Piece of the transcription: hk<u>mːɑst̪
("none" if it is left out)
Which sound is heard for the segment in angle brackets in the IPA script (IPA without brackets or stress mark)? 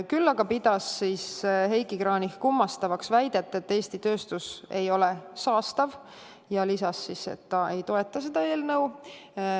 u